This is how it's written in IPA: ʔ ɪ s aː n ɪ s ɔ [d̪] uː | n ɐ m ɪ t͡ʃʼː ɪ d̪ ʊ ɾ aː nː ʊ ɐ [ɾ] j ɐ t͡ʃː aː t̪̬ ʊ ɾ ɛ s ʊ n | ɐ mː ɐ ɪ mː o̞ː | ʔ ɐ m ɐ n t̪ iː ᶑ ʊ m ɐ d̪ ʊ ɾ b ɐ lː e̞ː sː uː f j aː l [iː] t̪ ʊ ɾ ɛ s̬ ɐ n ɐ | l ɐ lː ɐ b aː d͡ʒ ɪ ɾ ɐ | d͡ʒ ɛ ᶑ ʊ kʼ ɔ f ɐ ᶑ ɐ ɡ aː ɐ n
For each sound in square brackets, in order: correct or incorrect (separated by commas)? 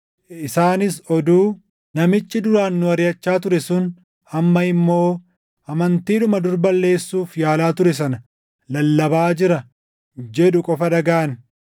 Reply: correct, correct, incorrect